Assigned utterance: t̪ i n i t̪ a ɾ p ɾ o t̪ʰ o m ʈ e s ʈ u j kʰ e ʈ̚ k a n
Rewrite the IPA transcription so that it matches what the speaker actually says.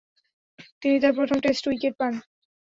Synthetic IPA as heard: t̪ i n i t̪ a ɾ p ɾ o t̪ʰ o m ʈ e s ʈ u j k e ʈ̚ p a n